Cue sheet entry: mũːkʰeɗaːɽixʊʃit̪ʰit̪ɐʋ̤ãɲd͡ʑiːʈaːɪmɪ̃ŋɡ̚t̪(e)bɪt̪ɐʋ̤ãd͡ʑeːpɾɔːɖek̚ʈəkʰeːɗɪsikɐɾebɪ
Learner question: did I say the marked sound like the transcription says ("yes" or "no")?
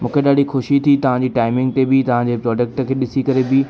yes